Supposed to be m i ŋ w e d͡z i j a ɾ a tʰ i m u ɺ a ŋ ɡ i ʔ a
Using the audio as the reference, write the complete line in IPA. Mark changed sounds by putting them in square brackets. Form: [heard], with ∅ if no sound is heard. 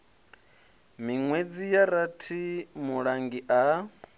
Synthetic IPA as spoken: m i ŋ w e d͡z i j a ɾ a tʰ i m u ɺ a ŋ ɡ i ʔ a